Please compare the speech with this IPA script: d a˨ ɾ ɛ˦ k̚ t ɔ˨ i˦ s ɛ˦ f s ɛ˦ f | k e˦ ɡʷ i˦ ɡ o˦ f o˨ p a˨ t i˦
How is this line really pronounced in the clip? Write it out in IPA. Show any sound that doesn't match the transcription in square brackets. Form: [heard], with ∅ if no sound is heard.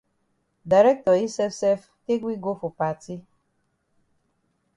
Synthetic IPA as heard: d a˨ ɾ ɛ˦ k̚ t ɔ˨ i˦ s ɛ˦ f s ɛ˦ f | k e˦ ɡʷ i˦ ɡ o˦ f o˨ p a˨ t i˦